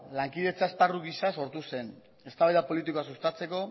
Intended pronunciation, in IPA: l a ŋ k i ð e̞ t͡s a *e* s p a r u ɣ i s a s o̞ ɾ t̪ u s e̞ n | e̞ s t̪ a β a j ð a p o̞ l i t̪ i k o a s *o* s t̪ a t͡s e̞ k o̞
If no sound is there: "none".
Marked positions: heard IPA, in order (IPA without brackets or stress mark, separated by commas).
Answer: e, u